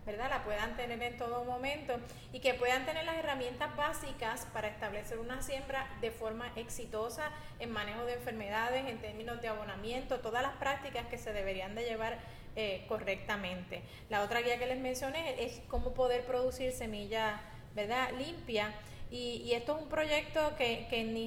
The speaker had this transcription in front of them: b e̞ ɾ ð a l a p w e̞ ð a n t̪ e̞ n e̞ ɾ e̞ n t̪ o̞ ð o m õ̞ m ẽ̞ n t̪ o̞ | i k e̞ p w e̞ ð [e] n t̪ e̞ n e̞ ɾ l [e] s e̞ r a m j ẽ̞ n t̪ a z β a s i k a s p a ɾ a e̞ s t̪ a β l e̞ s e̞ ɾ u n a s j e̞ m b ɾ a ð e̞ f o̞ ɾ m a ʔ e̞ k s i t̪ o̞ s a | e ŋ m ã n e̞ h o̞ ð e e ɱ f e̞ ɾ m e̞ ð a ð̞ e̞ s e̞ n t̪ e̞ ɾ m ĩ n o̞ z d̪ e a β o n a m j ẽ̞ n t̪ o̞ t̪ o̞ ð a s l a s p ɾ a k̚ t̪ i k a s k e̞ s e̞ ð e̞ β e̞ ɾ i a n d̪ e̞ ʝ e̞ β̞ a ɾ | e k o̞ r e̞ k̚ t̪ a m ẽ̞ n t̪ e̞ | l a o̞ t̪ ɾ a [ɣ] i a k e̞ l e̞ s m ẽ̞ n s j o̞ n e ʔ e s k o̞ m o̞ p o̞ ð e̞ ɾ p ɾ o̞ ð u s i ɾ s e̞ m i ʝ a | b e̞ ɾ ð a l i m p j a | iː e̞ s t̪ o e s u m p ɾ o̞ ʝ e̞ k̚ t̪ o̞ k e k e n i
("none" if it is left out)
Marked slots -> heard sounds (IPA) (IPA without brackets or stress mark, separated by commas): a, a, ɣ